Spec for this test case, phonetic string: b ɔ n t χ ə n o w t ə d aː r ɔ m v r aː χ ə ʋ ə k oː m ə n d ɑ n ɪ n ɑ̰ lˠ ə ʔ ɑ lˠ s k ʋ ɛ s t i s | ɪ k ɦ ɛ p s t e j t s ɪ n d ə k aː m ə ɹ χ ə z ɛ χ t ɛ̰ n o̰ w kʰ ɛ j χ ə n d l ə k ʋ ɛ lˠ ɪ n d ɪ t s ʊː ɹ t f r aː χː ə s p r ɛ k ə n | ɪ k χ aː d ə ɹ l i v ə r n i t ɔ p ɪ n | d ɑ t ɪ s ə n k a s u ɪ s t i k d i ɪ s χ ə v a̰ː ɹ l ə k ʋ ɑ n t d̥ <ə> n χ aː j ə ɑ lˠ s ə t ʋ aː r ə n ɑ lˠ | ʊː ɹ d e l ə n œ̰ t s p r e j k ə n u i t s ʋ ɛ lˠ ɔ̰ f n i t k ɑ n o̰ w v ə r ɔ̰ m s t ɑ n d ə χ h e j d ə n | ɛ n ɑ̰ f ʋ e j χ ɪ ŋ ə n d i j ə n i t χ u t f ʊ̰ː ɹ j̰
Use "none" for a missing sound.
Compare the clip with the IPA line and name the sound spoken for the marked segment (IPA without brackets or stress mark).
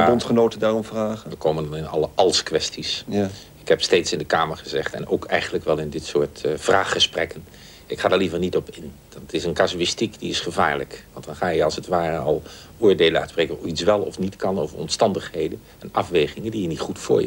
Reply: ɑ